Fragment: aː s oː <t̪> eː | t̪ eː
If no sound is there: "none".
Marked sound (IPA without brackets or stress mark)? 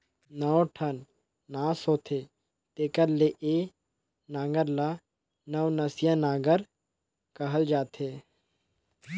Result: t̪ʰ